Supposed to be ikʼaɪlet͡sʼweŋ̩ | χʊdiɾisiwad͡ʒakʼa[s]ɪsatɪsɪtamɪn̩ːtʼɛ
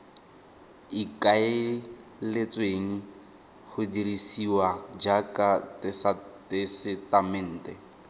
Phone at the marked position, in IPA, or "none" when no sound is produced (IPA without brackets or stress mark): t